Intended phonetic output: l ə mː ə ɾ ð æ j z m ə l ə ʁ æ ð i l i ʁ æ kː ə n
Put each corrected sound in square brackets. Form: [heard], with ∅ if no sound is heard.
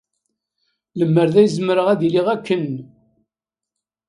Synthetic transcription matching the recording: l ə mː ə ɾ ð æ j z m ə [ɾ] ə ʁ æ ð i l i ʁ æ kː ə n